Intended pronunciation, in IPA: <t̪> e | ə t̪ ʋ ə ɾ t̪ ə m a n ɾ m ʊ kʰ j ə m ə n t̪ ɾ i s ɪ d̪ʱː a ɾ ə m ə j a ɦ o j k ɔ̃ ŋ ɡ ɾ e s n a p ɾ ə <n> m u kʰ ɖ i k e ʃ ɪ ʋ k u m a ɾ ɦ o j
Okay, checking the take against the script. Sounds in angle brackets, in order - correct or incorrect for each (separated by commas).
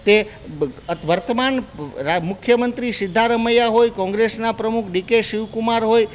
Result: correct, incorrect